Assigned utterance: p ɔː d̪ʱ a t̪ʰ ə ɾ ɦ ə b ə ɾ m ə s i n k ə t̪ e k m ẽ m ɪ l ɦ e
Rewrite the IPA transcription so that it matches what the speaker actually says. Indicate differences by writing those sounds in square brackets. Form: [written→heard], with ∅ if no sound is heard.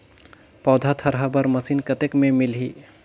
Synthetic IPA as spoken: p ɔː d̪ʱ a t̪ʰ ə ɾ ɦ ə b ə ɾ m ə s i n k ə t̪ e k m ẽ m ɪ l ɦ [e→i]